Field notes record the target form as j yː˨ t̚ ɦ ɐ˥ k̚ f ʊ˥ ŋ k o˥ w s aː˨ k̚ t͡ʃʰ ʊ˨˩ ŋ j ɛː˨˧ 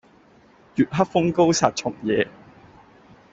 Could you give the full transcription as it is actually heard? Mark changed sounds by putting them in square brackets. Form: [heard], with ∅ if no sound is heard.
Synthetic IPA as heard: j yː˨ t̚ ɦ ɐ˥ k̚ f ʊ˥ ŋ k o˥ w s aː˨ [t̚] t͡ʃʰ ʊ˨˩ ŋ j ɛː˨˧